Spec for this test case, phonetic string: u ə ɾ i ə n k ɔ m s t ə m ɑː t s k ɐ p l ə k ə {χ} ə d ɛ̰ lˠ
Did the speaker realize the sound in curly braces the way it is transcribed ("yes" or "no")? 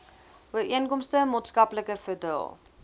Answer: no